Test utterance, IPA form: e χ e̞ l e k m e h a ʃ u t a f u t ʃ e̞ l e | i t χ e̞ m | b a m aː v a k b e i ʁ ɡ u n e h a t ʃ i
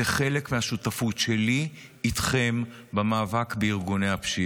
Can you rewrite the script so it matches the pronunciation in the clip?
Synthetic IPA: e χ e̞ l e k m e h a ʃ u t a f u t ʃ e̞ l i | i t χ e̞ m | b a m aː v a k b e i ʁ ɡ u n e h a p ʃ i